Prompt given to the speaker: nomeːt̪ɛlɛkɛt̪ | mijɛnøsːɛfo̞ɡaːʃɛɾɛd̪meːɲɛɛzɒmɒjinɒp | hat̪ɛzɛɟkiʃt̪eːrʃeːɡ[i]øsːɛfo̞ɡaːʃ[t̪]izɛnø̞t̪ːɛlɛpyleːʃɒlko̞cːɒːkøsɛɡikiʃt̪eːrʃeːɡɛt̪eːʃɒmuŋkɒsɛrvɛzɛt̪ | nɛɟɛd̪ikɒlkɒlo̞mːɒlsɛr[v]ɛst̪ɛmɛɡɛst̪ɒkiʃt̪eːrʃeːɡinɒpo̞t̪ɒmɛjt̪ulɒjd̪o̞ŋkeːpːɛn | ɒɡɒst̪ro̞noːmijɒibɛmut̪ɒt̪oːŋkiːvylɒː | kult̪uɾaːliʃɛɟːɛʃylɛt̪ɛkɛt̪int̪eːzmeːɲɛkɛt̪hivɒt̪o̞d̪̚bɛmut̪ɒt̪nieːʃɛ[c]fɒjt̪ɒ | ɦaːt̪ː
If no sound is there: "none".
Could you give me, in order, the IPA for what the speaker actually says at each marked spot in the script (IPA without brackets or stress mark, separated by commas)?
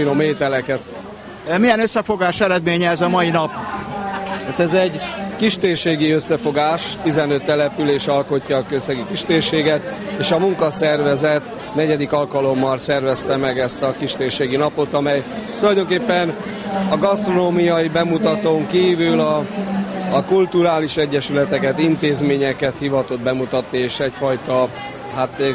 i, t̪, v, c